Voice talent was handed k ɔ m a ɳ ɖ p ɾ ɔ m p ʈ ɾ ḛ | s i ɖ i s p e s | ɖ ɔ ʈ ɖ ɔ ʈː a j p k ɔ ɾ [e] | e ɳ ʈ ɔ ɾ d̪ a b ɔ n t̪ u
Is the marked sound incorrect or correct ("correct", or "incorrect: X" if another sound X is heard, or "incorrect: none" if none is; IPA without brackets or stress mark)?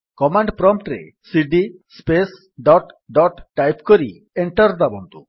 incorrect: i